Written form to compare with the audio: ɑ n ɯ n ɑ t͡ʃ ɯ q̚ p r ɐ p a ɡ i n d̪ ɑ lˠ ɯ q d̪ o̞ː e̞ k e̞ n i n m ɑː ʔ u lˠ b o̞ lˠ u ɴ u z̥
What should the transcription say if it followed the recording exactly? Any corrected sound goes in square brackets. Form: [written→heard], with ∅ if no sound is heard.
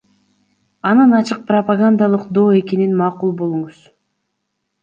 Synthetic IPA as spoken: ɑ n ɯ n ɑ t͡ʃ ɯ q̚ p r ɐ p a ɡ [i→a] n d̪ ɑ lˠ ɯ q d̪ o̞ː e̞ k e̞ n i n m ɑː [ʔ→q] u lˠ b o̞ lˠ u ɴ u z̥